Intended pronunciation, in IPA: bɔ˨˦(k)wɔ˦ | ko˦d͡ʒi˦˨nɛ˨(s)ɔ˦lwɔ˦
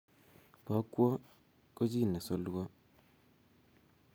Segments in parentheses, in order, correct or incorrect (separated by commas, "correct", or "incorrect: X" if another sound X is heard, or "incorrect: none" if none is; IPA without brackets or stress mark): correct, correct